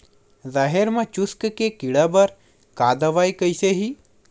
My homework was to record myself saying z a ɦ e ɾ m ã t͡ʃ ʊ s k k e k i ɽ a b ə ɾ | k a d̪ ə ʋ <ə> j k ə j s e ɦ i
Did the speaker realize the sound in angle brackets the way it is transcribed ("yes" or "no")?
no